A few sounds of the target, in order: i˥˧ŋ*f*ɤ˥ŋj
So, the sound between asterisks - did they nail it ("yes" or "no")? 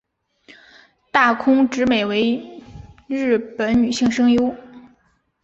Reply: no